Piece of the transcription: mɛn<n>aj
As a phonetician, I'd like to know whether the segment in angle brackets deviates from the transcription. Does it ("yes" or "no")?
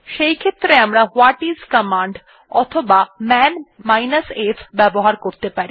yes